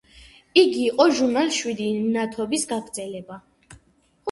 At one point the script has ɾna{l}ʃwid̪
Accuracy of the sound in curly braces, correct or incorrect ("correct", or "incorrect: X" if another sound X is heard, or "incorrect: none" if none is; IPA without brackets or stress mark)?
correct